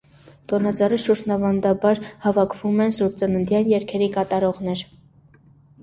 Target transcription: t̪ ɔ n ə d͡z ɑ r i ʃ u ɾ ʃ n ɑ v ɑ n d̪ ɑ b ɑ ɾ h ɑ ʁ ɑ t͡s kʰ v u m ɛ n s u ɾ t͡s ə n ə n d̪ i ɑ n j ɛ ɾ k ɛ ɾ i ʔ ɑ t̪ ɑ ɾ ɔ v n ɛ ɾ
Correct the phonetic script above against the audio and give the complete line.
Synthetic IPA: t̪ ɔ n ɑ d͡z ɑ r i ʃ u ɾ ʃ n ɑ v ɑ n d̪ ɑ b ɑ ɾ h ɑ v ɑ kʰ v u m ɛ n s u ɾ t͡s ə n ə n d̪ j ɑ n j ɛ ɾ kʰ ɛ ɾ i k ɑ t̪ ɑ ɾ ɔ ʁ n ɛ ɾ